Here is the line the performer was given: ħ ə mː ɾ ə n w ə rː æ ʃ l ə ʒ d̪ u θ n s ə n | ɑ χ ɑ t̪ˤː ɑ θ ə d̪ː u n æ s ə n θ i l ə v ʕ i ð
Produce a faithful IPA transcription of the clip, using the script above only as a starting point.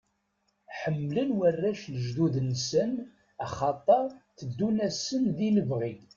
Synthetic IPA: ħ ə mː l ə n w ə rː æ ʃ l ə ʒ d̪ u ð n s ə n | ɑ χ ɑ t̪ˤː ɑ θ ə d̪ː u n æ s ə n ð i l ə v ʁ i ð